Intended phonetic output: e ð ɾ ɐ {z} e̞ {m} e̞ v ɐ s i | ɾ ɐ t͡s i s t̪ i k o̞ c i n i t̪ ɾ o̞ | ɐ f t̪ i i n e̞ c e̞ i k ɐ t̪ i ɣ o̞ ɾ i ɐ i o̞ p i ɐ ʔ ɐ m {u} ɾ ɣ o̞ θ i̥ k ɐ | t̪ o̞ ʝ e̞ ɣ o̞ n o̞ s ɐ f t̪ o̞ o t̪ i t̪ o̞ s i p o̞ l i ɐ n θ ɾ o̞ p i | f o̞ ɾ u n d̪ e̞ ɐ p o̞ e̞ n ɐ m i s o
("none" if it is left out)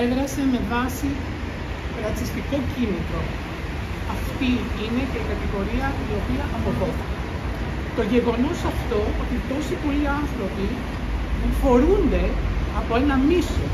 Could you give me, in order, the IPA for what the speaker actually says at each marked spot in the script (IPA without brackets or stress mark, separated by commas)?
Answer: s, m, o